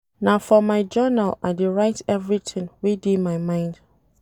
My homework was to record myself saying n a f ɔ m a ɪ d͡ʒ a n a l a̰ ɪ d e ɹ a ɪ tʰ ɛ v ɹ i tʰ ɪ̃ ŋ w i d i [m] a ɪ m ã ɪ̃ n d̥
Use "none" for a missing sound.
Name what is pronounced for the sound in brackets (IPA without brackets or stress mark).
m